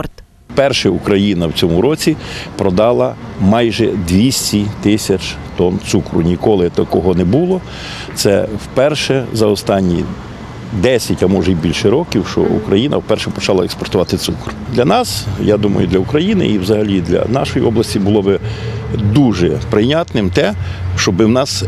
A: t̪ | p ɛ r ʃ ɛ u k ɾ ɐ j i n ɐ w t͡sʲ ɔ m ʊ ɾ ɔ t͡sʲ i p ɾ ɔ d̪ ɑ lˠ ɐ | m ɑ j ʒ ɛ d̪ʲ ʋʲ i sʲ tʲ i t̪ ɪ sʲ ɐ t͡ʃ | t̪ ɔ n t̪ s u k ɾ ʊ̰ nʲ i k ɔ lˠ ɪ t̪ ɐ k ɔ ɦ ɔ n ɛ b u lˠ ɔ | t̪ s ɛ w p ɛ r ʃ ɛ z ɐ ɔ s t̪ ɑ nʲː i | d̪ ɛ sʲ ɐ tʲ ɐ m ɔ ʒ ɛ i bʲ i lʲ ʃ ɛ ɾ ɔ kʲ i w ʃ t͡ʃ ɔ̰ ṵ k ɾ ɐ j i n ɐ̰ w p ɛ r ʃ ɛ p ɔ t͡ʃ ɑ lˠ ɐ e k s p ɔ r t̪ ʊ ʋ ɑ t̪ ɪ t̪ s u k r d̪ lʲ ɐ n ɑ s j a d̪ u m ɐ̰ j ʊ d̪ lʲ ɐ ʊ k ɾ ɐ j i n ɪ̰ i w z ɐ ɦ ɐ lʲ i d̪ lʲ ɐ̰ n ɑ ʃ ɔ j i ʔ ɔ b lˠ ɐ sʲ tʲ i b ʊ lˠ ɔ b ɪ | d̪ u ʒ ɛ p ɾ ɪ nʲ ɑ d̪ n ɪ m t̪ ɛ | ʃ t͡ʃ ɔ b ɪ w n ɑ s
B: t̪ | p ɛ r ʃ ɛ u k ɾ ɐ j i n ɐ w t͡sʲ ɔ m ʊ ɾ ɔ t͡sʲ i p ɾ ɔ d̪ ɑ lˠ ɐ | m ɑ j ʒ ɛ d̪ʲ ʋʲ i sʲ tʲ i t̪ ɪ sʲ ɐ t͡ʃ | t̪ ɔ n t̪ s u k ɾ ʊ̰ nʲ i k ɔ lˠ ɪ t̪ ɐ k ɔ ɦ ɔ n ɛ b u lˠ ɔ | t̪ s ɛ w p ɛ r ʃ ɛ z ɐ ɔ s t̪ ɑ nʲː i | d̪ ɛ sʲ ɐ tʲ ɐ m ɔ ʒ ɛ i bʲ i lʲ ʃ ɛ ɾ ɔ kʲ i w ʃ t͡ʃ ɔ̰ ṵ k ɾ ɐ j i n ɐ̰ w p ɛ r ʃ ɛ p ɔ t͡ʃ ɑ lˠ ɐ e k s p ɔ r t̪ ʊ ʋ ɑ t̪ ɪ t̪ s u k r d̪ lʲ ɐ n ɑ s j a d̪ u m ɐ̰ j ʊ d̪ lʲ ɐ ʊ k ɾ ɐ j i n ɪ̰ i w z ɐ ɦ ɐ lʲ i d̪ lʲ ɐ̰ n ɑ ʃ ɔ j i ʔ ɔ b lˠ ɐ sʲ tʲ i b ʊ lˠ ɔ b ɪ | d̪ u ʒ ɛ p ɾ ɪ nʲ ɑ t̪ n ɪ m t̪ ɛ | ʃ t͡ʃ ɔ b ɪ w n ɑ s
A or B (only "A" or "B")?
B